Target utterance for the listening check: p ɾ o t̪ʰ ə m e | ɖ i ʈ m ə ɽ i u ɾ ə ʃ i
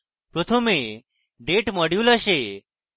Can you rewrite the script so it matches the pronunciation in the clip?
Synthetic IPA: p ɾ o t̪ʰ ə m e | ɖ e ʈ m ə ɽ j u l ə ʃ e